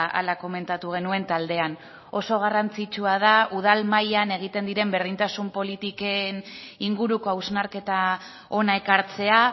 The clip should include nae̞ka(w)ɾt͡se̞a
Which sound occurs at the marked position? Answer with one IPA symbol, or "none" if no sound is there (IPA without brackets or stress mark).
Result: none